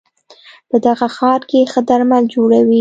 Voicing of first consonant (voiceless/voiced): voiceless